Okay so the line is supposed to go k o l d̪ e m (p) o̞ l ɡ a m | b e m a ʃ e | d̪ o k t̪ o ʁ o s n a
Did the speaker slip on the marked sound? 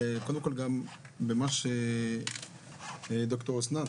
yes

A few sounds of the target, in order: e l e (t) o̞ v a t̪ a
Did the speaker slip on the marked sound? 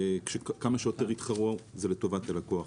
no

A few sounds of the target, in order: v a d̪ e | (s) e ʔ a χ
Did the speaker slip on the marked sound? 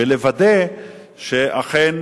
yes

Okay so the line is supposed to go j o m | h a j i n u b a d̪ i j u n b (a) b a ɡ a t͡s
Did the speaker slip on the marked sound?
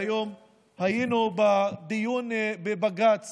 yes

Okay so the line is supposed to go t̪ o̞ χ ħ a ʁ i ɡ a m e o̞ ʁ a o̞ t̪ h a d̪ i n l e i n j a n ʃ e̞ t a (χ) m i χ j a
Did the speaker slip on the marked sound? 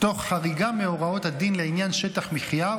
no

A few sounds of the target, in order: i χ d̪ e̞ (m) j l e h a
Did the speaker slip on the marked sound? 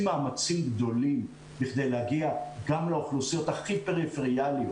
yes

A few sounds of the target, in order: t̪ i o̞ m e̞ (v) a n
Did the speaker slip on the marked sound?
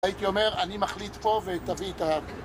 yes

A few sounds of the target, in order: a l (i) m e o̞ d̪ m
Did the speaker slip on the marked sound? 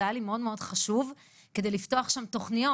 no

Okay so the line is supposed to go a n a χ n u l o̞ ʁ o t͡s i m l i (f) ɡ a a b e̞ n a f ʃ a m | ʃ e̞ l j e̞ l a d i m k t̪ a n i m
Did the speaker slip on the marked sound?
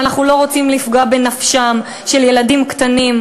no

